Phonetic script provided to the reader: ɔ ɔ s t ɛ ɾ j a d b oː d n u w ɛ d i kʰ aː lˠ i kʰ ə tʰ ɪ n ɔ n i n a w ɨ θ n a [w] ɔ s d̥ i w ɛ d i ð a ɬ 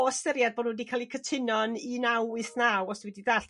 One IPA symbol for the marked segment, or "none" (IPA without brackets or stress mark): w